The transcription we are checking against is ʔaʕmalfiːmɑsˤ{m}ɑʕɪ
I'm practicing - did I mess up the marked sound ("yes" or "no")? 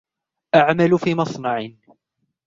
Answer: yes